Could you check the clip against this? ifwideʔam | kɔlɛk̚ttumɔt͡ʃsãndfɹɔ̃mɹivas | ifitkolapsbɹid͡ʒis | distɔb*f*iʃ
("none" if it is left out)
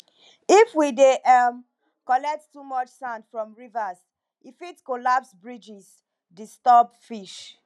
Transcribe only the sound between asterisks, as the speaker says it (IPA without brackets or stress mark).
f